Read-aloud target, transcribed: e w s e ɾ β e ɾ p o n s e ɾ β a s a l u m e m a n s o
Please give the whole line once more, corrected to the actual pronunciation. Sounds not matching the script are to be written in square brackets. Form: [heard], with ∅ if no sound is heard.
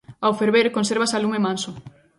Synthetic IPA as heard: [a] w [f] e ɾ β e ɾ [k] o n s e ɾ β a s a l u m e m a n s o

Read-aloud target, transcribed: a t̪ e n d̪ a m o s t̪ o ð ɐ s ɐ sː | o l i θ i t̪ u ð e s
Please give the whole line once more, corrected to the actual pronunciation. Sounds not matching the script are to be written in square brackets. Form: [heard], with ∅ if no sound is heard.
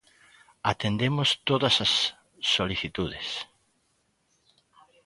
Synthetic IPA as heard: a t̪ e n d̪ [e] m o s t̪ o ð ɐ s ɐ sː | o l i θ i t̪ u ð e s

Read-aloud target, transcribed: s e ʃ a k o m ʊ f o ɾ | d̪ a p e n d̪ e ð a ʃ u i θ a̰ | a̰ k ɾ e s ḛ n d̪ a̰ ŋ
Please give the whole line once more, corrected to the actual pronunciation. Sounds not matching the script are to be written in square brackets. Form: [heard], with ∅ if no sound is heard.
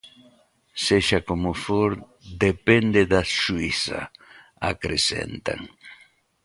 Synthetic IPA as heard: s e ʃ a k o m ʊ f o ɾ | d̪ [e] p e n d̪ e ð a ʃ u i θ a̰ | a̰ k ɾ e s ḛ n [t̪] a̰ ŋ

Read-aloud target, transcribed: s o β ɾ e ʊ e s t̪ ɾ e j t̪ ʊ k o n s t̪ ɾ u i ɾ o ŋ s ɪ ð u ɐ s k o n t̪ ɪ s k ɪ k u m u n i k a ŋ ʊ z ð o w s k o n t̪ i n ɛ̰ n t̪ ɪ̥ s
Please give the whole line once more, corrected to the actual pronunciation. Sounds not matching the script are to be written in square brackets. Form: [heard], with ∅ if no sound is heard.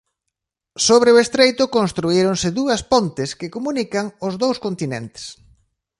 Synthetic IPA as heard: s o β ɾ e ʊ e s t̪ ɾ e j t̪ ʊ k o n s t̪ ɾ u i ɾ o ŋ s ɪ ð u ɐ s [p] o n t̪ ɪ s k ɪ k [o] m u n i k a ŋ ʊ z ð o w s k o n t̪ i n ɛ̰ n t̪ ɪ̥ s

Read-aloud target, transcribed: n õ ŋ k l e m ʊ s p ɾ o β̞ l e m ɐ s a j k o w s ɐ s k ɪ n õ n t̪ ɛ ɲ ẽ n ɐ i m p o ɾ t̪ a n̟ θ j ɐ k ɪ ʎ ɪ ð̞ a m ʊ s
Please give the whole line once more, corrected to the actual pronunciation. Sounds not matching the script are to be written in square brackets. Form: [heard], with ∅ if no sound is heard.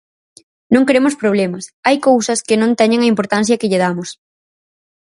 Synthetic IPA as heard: n õ ŋ k [ɾ] e m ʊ s p ɾ o β̞ l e m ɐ s a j k o w s ɐ s k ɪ n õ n t̪ ɛ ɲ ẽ [ŋ] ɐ i m p o ɾ t̪ a n̟ θ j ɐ k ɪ ʎ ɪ ð̞ a m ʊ s

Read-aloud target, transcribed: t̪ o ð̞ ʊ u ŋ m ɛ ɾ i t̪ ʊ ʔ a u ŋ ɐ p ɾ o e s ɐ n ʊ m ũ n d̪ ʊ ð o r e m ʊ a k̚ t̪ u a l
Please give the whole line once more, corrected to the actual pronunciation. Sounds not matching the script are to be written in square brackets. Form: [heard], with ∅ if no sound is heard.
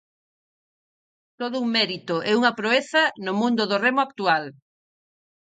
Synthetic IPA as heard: t̪ o ð̞ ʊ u ŋ m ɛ ɾ i t̪ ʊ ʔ [ɛ] u ŋ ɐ p ɾ o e [θ] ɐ n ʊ m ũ n d̪ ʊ ð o r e m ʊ a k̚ t̪ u a l

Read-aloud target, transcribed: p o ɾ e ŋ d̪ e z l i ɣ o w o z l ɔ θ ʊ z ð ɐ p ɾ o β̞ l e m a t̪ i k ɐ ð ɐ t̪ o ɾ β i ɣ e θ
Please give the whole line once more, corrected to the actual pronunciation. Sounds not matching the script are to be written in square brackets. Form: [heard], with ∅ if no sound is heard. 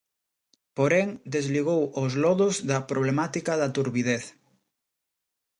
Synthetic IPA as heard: p o ɾ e ŋ d̪ e z l i ɣ o w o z l ɔ [ð] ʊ z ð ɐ p ɾ o β̞ l e m a t̪ i k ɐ ð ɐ t̪ [u] ɾ β i [ð] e θ

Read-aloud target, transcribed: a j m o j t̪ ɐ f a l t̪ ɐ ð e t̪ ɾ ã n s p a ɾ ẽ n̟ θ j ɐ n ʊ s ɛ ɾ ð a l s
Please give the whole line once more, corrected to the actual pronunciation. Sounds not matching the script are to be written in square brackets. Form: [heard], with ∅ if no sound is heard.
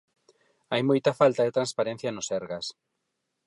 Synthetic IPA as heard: a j m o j t̪ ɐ f a l t̪ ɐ ð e t̪ ɾ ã n s p a ɾ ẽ n̟ θ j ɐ n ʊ s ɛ ɾ [ɣ] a [∅] s

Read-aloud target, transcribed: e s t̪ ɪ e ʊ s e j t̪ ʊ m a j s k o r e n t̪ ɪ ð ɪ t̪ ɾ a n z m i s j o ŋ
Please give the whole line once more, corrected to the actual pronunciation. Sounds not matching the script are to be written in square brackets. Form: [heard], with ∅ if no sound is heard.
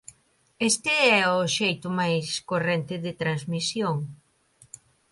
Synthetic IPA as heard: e s t̪ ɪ [ɛ] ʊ [ʃ] e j t̪ ʊ m a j s k o r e n t̪ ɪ ð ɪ t̪ ɾ a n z m i s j o ŋ

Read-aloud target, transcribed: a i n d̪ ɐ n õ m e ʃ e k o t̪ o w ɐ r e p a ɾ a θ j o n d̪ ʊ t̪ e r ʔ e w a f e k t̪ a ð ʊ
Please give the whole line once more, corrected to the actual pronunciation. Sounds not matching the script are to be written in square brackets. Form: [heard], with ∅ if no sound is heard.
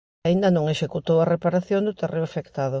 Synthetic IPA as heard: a i n d̪ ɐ n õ [ŋ] e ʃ e k [u] t̪ o w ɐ r e p a ɾ a θ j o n d̪ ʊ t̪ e r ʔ e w a f e k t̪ a ð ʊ

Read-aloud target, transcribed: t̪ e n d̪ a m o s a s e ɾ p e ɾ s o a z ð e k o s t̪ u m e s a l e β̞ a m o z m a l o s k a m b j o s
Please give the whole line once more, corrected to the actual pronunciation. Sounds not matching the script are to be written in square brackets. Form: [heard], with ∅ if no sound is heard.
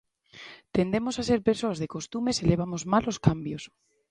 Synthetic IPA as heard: t̪ e n d̪ [e] m o s a s e ɾ p e ɾ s o a z ð e k o s t̪ u m e s [e] l e β̞ a m o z m a l o s k a m b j o s

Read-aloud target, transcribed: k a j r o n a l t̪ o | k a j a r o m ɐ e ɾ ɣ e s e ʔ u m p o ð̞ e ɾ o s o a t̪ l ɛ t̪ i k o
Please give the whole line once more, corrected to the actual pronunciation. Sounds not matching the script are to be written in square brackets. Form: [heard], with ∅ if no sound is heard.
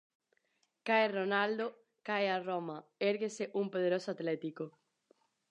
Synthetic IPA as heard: k a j r o n a l [d̪] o | k a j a r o m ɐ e ɾ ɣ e s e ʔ u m p o ð̞ e ɾ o s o a t̪ l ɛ t̪ i k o

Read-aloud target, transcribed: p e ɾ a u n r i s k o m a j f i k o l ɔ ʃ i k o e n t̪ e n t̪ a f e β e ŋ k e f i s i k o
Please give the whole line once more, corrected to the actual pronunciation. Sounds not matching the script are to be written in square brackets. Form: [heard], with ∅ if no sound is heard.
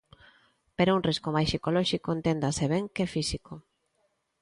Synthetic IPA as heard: p e ɾ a u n r i s k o m a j [s] i k o l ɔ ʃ i k o e n t̪ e n [d̪] a [s] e β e ŋ k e f i s i k o

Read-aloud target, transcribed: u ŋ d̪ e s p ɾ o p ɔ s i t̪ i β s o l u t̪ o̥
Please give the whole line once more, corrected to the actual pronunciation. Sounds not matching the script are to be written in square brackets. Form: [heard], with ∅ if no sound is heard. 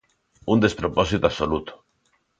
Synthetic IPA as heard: u [n] d̪ e s p ɾ o p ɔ s i t̪ [a] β s o l u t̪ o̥

